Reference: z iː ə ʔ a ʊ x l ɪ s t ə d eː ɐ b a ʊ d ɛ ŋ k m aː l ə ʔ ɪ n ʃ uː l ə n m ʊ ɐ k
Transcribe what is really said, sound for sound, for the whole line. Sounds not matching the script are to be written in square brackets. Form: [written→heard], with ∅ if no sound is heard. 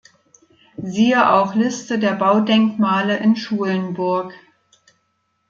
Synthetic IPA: z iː ə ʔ a ʊ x l ɪ s t ə d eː ɐ b a ʊ d ɛ ŋ k m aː l ə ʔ ɪ n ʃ uː l ə n [m→b] ʊ ɐ k